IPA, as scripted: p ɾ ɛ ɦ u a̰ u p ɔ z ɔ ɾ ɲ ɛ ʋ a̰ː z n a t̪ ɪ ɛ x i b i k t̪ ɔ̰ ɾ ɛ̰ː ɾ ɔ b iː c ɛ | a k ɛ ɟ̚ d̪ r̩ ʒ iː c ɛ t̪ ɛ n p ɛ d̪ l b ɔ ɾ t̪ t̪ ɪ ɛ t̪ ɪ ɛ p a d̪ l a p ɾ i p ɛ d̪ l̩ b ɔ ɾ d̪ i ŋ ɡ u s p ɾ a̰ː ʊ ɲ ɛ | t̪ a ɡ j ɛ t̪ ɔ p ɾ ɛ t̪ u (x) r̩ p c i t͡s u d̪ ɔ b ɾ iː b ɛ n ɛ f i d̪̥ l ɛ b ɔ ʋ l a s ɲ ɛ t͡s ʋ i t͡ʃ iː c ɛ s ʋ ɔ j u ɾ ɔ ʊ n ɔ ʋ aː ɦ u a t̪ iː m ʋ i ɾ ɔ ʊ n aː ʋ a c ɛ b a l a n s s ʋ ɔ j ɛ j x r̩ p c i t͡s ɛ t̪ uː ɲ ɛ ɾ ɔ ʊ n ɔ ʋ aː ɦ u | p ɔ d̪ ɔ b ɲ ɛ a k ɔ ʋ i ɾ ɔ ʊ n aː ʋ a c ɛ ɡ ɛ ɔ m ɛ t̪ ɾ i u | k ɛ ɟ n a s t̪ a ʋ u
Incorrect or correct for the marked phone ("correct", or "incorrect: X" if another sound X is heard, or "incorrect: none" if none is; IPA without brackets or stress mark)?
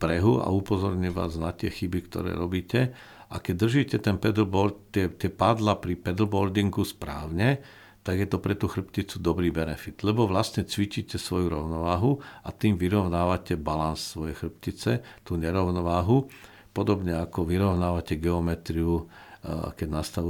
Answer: correct